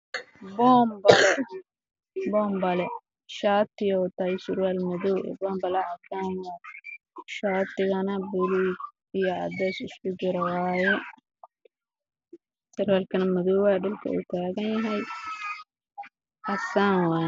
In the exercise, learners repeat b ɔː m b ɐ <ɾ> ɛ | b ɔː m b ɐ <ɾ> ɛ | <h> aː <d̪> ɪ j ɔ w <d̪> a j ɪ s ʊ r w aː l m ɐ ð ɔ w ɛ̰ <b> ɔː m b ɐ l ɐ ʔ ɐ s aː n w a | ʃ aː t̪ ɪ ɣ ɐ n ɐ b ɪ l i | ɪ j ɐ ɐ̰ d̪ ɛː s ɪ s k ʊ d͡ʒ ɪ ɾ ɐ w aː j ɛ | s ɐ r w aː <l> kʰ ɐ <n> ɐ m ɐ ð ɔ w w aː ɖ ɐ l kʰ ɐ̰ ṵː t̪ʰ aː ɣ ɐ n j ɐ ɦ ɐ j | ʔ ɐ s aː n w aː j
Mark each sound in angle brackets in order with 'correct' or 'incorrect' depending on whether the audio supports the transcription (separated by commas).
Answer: incorrect, incorrect, incorrect, incorrect, incorrect, correct, correct, correct